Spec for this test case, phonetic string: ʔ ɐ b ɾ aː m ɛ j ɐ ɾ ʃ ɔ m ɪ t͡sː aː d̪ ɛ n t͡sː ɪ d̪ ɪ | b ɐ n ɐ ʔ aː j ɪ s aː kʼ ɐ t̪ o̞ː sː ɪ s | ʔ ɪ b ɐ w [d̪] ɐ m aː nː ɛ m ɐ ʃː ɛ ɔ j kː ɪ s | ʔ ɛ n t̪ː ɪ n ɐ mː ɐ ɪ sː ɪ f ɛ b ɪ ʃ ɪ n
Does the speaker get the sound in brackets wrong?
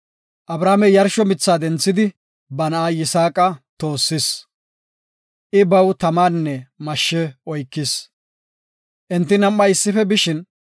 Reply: yes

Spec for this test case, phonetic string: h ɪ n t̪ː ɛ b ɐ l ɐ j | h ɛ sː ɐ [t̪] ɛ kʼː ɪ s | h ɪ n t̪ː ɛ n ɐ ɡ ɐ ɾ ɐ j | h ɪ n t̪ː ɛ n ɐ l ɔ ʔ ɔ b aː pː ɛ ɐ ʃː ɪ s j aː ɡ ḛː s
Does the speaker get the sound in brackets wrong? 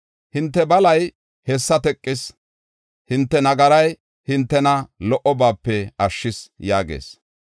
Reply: no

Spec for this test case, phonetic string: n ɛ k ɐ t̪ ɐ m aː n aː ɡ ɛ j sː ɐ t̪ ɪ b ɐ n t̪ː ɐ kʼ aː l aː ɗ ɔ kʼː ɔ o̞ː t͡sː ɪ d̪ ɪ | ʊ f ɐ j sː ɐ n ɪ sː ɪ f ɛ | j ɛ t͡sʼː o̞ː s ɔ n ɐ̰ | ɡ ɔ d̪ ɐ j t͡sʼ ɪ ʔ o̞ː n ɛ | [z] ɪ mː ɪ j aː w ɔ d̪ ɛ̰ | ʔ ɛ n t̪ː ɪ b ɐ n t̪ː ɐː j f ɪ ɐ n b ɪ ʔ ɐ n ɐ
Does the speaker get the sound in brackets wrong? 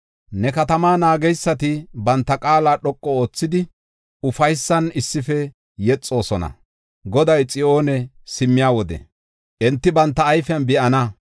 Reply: yes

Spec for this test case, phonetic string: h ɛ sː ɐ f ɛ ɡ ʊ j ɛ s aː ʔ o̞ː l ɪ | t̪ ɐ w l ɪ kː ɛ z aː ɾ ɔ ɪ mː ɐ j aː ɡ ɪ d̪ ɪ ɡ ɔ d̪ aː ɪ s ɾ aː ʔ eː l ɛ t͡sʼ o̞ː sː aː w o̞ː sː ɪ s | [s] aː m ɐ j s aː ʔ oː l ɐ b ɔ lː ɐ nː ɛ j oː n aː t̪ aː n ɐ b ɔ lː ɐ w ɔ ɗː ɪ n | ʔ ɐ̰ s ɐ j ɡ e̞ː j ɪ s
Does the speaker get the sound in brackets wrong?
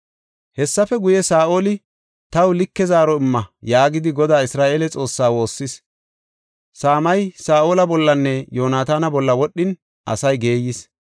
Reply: no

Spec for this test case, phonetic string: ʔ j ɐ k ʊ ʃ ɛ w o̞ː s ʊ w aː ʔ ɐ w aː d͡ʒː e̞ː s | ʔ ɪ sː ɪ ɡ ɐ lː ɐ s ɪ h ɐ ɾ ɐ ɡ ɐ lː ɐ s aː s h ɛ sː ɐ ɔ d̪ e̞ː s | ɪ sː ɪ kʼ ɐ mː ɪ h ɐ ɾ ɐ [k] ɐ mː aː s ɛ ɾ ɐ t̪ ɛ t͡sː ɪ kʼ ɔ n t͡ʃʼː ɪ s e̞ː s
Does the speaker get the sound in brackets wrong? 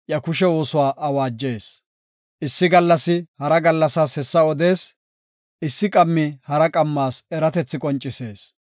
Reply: yes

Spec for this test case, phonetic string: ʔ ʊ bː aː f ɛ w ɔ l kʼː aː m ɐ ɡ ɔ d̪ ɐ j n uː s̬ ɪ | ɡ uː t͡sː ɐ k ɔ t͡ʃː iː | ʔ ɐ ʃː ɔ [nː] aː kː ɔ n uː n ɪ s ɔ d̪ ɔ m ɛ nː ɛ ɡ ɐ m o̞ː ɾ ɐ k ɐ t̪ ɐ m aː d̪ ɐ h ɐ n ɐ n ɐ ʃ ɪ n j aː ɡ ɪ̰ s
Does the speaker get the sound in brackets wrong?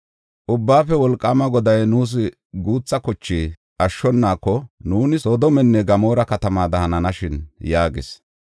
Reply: no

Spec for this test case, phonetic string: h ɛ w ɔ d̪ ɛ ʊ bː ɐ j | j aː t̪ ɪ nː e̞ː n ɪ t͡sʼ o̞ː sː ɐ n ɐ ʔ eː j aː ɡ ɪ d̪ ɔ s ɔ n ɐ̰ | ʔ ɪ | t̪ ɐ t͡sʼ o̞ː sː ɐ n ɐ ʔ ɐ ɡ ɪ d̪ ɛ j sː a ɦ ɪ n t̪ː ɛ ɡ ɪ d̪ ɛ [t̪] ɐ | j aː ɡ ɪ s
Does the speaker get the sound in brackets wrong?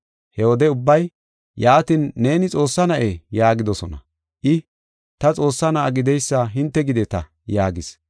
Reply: no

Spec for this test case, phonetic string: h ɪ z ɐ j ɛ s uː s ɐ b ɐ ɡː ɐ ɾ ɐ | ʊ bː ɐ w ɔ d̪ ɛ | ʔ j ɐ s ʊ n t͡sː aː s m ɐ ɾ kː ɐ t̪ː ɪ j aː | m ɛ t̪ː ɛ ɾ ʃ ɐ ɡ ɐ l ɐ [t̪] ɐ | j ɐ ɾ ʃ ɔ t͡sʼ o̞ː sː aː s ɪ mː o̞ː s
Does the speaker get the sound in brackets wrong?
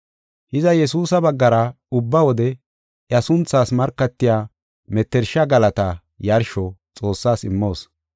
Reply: no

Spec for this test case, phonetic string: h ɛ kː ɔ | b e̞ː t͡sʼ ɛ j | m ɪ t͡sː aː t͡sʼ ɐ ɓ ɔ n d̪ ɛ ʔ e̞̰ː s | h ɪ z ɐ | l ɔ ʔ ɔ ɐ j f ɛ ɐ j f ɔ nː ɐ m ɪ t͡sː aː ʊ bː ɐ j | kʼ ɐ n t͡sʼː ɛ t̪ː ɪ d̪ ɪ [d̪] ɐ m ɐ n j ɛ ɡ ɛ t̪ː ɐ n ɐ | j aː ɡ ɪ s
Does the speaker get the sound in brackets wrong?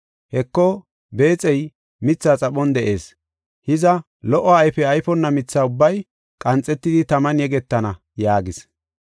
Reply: yes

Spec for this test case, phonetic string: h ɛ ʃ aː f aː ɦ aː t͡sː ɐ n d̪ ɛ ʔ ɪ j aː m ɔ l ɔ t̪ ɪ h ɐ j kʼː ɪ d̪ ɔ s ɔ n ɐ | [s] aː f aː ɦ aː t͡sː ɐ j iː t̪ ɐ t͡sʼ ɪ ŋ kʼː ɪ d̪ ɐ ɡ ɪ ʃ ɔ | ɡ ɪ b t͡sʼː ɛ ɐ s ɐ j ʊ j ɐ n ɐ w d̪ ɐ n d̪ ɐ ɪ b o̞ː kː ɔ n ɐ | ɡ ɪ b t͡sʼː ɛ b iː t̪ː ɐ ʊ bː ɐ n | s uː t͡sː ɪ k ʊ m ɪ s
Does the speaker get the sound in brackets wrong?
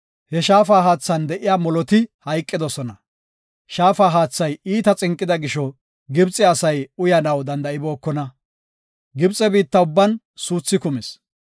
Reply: yes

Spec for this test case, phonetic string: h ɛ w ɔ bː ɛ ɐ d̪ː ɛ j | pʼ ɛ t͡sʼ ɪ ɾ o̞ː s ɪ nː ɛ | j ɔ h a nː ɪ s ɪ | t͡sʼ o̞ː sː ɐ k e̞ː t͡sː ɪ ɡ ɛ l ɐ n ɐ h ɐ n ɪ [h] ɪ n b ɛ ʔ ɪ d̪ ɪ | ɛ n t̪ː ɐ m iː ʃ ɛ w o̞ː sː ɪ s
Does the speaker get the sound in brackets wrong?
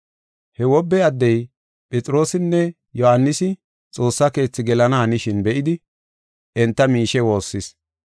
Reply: yes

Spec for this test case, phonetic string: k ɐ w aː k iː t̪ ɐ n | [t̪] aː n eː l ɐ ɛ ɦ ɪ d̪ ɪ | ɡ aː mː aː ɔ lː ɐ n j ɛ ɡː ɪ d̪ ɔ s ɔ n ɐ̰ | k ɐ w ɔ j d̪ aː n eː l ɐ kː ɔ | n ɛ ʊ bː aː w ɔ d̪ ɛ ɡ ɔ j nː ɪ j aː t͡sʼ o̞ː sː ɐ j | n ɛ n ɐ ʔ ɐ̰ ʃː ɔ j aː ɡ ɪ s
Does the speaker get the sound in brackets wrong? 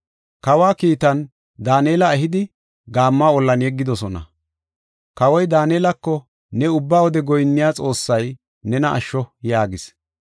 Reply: yes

